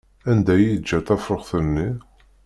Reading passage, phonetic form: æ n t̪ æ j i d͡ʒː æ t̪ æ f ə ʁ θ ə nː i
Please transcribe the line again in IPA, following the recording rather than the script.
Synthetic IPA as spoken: æ n d̪ æ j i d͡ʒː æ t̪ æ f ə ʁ θ ə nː i